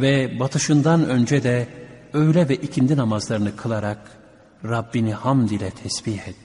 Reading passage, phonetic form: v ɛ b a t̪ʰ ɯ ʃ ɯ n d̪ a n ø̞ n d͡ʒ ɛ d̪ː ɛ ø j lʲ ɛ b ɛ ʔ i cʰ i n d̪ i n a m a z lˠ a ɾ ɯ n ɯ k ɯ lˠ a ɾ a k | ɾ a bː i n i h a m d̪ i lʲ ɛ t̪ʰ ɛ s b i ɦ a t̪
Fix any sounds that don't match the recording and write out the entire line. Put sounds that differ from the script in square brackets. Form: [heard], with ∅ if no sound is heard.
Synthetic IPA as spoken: v ɛ b a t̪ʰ ɯ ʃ ɯ n d̪ a n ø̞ n d͡ʒ ɛ [d̪] ɛ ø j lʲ ɛ [v] ɛ ʔ i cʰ i n d̪ i n a m a z lˠ a ɾ ɯ n ɯ [kʰ] ɯ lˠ a ɾ a k | ɾ a bː i n i h a m d̪ i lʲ ɛ t̪ʰ ɛ s b i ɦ [ɛ] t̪